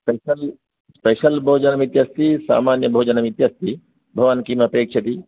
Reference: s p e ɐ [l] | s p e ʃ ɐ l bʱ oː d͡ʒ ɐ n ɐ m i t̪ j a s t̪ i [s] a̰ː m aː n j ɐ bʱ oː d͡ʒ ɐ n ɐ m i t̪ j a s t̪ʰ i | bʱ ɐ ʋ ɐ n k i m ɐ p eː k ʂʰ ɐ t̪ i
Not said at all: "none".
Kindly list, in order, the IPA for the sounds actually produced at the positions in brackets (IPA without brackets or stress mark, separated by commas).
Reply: l, s